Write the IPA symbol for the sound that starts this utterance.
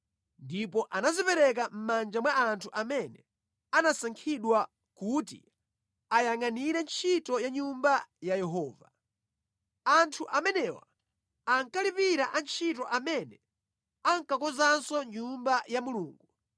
n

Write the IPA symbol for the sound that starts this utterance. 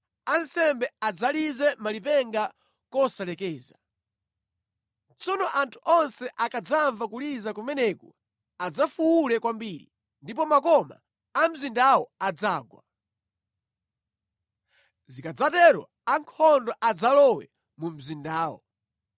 a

